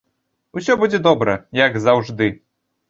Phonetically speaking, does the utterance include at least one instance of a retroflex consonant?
yes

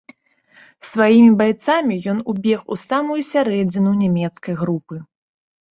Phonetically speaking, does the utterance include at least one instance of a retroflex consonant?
no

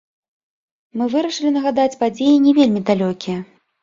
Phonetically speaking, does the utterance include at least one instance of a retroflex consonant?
yes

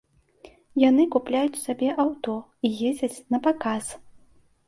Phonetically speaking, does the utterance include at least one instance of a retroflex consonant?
no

